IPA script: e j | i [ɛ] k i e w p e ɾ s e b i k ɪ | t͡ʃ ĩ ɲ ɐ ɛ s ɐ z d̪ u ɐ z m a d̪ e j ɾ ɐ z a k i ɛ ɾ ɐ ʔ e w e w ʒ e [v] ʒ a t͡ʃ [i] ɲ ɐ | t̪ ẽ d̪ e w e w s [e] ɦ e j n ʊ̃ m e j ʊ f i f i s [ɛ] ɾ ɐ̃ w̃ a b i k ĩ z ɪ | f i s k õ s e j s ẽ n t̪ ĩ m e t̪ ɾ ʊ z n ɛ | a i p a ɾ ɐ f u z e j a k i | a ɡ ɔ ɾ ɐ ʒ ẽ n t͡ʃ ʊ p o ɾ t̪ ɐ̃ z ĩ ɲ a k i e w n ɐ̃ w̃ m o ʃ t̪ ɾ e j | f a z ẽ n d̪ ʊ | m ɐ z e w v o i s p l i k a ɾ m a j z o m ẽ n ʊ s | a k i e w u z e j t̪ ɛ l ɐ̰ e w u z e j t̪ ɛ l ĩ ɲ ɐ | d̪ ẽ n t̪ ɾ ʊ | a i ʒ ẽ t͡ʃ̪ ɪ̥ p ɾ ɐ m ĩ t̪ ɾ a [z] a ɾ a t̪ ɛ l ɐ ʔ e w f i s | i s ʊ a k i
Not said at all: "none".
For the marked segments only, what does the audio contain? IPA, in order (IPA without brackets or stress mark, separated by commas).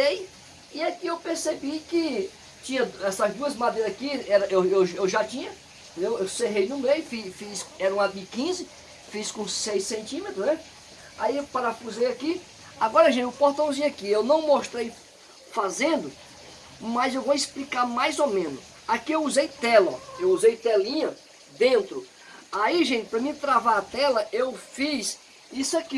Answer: a, w, ĩ, e, ɛ, v